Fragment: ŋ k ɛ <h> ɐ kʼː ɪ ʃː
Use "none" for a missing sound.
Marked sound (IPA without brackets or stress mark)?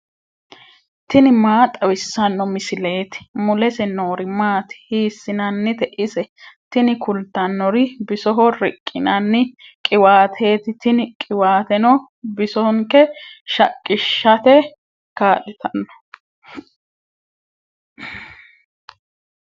ʃ